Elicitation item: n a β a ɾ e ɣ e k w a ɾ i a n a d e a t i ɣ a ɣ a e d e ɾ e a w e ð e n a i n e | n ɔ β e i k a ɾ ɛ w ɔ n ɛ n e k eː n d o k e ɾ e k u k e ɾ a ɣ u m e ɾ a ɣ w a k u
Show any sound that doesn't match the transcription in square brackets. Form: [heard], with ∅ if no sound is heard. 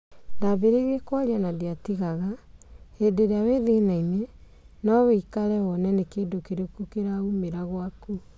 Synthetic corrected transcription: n a β [e] ɾ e ɣ e k w a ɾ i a n a d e a t i ɣ a ɣ a e d e ɾ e a w e ð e n a i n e | n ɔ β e i k a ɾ ɛ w ɔ n ɛ n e k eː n d o k e ɾ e k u k e ɾ a [∅] u m e ɾ a ɣ w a k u